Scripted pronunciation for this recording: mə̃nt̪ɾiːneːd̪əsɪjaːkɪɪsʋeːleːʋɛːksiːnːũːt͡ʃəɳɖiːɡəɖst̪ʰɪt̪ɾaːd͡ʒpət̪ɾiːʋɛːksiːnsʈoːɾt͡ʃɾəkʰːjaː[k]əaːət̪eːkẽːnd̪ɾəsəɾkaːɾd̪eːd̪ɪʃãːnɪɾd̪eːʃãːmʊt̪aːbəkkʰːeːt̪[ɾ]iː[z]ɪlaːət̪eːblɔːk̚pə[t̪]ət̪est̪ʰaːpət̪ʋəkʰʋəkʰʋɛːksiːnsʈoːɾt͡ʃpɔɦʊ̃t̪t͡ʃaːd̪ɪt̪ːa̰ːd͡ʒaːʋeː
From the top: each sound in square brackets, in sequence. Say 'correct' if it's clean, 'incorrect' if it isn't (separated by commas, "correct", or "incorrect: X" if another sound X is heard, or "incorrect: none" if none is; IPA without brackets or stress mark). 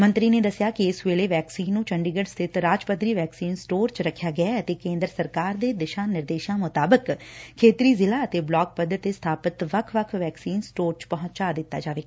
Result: incorrect: ɡ, correct, correct, incorrect: d̪